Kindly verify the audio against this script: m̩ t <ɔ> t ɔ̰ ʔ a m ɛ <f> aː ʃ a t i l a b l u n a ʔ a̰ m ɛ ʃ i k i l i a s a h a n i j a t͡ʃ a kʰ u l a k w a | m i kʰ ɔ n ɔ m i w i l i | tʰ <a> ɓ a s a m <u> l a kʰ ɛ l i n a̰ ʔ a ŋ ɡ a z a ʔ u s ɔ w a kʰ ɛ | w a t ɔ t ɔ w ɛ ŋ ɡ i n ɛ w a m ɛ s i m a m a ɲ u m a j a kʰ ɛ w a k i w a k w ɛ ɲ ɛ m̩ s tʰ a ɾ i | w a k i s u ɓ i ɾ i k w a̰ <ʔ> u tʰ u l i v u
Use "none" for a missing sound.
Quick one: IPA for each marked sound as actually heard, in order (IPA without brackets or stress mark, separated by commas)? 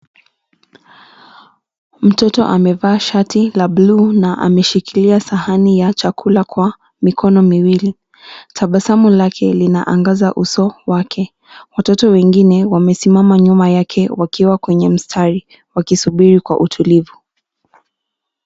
ɔ, v, a, u, ʔ